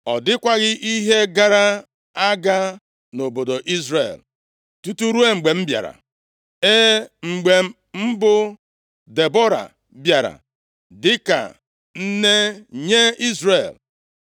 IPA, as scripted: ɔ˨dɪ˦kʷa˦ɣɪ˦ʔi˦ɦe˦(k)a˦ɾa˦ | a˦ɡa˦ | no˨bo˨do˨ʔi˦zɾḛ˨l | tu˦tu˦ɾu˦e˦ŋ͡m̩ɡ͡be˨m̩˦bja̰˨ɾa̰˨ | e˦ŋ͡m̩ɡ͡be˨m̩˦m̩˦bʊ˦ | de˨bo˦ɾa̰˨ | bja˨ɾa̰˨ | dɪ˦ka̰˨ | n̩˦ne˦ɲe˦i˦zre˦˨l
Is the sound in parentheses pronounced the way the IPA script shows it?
no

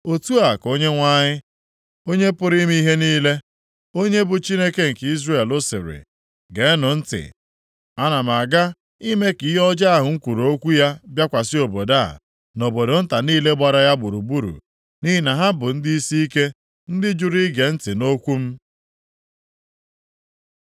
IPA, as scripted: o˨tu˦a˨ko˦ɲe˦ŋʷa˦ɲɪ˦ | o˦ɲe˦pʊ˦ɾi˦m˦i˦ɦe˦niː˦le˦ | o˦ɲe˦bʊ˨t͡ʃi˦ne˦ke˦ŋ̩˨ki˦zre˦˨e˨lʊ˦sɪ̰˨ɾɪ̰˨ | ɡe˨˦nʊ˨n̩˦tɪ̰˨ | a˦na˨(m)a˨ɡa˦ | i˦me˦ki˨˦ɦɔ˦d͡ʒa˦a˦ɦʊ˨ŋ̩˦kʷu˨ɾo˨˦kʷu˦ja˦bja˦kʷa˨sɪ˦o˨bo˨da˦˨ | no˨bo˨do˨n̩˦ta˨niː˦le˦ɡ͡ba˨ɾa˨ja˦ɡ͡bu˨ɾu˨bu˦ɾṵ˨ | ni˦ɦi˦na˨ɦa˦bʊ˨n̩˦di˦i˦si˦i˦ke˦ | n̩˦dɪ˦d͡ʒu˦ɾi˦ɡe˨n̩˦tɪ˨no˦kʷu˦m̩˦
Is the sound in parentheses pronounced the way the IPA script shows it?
yes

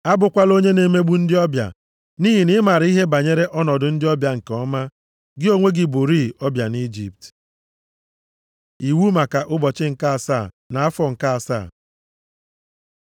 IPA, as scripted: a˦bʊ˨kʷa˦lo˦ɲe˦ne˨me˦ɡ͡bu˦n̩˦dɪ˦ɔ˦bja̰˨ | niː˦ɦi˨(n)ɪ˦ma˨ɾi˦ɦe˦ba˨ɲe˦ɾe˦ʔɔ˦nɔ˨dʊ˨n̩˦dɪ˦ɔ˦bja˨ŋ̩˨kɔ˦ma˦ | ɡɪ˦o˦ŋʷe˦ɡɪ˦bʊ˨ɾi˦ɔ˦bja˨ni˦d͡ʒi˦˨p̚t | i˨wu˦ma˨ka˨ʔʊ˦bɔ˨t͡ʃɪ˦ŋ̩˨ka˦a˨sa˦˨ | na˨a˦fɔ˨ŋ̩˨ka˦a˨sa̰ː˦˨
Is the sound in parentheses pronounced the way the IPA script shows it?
yes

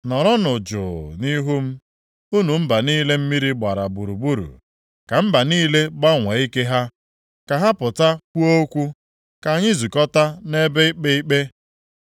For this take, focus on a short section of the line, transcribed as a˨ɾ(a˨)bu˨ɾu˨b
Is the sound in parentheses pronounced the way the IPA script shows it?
yes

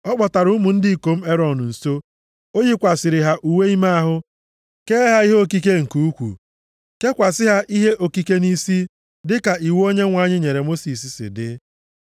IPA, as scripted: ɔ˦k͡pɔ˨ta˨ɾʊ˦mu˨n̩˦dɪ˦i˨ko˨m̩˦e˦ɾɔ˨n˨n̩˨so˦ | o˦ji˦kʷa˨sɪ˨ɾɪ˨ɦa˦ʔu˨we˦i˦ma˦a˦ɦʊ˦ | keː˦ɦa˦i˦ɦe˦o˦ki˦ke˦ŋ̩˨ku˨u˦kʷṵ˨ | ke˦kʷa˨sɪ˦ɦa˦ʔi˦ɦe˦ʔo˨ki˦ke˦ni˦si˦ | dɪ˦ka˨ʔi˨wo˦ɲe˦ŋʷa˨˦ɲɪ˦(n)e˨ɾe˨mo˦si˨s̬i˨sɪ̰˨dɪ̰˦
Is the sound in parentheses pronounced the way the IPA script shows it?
no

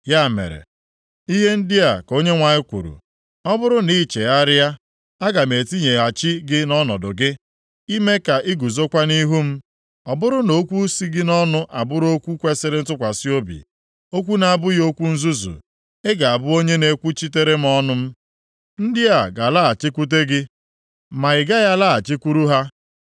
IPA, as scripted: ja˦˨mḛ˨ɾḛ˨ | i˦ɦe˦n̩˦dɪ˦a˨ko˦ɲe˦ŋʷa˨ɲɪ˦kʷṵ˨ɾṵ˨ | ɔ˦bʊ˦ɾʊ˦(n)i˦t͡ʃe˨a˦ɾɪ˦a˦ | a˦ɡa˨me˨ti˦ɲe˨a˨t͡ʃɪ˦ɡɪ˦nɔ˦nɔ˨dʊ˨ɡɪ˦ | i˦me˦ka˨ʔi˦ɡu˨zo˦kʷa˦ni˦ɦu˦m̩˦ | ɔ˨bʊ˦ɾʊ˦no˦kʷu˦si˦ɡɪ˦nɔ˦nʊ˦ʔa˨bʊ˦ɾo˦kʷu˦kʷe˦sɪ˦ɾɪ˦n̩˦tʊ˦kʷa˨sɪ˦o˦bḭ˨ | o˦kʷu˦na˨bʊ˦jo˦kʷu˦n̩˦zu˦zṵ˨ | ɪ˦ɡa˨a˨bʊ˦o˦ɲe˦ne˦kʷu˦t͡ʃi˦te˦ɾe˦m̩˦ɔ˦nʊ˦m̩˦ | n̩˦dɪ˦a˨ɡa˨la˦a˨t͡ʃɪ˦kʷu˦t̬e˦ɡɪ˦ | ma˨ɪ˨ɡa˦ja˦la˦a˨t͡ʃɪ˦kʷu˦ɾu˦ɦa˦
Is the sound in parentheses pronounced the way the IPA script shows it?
yes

